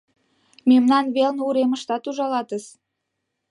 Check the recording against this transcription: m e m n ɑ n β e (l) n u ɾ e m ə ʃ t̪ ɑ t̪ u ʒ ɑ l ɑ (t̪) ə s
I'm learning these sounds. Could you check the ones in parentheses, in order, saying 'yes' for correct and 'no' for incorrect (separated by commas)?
yes, yes